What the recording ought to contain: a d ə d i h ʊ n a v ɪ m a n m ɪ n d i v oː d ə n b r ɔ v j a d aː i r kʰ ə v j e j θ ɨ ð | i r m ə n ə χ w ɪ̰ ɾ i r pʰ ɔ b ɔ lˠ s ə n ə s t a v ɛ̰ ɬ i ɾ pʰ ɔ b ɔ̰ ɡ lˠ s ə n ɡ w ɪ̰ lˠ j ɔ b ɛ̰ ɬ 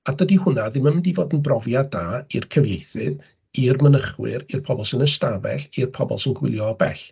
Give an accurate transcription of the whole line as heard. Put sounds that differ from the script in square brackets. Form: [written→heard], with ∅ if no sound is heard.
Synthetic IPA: a d ə d i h ʊ n a [v→ð] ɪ m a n m ɪ n d i v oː d ə n b r ɔ v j a d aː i r kʰ ə v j e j θ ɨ ð | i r m ə n ə χ w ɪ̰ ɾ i r pʰ ɔ b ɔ lˠ s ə n ə s t a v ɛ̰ ɬ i [ɾ→r] pʰ ɔ b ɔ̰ [ɡ→∅] lˠ s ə n ɡ w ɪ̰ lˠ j ɔ b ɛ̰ ɬ